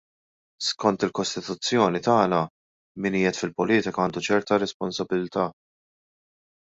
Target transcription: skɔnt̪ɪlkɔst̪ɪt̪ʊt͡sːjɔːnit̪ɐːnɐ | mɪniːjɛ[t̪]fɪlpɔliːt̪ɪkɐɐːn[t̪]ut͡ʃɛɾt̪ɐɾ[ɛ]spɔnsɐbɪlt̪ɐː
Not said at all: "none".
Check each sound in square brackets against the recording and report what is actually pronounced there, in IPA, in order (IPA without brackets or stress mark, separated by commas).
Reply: t̪, d̪, ɛ